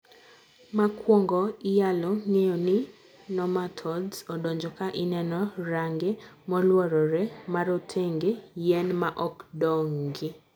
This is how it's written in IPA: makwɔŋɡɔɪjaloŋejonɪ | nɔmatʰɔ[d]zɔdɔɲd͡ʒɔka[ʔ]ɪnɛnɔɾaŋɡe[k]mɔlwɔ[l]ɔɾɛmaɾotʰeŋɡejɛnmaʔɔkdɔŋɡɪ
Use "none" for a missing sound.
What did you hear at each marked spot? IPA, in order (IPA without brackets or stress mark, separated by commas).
d, ʔ, none, ɾ